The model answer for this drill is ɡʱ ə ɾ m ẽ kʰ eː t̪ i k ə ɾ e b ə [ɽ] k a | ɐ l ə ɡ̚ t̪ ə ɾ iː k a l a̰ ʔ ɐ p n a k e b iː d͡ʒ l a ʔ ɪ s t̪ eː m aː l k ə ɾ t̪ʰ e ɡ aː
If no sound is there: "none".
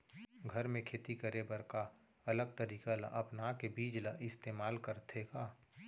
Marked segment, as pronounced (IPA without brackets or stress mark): ɾ